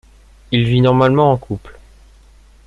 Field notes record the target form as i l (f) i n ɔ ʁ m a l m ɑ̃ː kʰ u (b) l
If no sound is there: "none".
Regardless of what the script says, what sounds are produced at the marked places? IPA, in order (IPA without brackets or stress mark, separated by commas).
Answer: v, p